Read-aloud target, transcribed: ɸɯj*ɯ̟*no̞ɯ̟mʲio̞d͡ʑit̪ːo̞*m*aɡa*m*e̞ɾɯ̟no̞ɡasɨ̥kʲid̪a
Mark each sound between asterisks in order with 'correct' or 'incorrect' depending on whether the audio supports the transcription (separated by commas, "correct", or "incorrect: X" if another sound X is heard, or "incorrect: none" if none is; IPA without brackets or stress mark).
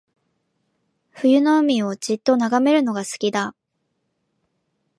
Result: correct, incorrect: n, correct